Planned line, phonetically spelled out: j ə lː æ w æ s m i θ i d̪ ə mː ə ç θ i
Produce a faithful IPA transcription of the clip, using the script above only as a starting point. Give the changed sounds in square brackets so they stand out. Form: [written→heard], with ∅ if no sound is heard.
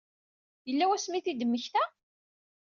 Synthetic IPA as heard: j ə lː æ w æ s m i θ i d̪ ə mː ə ç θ [i→æ]